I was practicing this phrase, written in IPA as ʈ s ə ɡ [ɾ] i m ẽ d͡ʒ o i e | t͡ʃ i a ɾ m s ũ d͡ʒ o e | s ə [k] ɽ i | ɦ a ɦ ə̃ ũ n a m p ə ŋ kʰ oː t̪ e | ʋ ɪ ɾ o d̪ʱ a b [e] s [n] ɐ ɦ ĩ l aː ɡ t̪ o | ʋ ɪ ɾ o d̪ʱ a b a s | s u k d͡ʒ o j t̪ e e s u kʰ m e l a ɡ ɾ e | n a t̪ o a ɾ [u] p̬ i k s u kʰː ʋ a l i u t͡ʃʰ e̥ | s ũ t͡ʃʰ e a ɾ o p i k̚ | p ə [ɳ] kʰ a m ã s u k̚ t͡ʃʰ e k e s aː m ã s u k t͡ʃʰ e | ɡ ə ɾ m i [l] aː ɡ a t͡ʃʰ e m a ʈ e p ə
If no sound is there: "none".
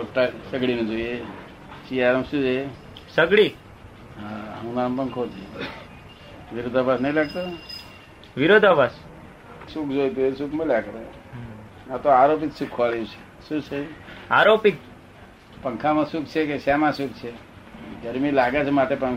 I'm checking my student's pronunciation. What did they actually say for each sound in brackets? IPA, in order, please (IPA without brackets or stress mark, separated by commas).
ɽ, ɡ, a, n, o, ŋ, l